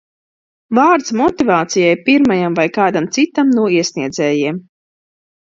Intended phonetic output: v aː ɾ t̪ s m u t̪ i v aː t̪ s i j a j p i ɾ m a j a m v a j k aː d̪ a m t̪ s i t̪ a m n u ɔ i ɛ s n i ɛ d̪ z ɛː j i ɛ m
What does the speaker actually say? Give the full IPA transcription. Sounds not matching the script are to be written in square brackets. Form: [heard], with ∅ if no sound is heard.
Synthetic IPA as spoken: v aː ɾ t̪ s m [ɔ] t̪ i v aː t̪ s i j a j p i ɾ m a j a m v a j k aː d̪ a m t̪ s i t̪ a m n u ɔ i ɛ s n i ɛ d̪ z ɛː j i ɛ m